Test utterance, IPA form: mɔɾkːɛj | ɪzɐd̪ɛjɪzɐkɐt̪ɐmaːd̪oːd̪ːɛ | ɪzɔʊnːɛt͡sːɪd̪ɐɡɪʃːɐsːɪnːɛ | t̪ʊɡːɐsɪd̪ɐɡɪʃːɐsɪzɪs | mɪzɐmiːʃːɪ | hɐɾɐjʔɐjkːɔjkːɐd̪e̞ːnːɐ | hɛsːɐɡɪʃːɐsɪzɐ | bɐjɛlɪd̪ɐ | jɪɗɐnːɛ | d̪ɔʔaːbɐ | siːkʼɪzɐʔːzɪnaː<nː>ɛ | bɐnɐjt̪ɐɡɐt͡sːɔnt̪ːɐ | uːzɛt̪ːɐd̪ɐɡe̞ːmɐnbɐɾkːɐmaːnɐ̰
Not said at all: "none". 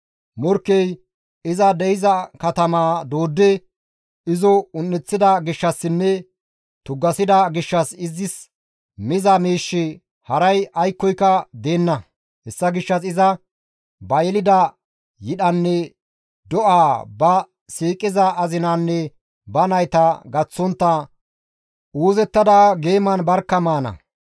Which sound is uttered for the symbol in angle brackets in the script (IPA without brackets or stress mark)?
nː